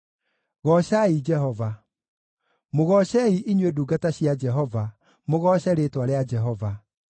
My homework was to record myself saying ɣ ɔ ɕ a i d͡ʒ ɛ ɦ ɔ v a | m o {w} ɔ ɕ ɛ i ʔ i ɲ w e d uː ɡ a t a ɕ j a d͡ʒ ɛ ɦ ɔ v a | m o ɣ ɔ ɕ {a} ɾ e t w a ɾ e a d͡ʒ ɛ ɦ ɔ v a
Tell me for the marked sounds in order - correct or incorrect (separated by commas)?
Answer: incorrect, incorrect